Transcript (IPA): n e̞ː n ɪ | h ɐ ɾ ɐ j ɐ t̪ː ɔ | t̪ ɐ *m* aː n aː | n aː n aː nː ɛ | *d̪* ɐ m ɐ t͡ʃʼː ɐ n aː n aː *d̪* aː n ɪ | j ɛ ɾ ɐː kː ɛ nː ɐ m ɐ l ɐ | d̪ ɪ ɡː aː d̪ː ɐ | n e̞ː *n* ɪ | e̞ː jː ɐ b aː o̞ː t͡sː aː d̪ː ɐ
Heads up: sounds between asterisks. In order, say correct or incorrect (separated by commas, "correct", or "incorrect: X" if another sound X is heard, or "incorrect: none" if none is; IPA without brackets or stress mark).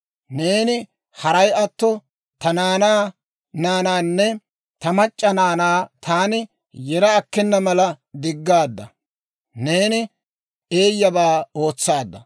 incorrect: n, incorrect: t̪, incorrect: t̪, correct